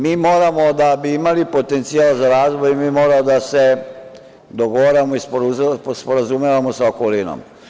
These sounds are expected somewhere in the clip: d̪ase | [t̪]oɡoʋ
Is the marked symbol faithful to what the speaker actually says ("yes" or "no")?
no